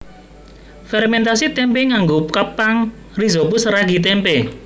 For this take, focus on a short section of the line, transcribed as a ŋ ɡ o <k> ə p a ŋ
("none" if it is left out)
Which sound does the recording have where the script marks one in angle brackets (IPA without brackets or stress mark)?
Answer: k